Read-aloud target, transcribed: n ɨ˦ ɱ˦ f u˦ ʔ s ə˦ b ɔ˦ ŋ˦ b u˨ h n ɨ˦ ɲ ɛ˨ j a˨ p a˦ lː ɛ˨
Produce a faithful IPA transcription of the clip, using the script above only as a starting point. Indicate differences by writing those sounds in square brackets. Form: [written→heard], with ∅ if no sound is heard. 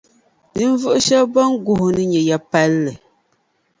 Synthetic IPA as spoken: n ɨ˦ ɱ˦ [f→v] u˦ ʔ [s→ʃ] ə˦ b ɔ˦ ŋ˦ [b→ɡ] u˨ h n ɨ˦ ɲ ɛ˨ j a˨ p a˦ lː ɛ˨